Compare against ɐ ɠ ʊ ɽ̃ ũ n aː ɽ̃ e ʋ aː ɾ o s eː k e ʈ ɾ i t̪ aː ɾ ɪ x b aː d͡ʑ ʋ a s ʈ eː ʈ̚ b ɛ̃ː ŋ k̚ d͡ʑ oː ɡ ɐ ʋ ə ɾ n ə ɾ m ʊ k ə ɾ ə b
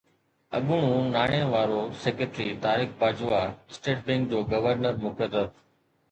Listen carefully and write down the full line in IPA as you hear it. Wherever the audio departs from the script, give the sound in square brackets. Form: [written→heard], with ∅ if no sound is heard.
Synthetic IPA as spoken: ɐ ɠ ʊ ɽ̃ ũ n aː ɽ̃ e ʋ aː ɾ o s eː k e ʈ ɾ i t̪ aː ɾ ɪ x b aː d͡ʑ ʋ a s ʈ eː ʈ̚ b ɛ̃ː ŋ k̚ d͡ʑ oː ɡ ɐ ʋ ə ɾ n ə ɾ m ʊ k ə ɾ ə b